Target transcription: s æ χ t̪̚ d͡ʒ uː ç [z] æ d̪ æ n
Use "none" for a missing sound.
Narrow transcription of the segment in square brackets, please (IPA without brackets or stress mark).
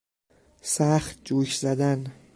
z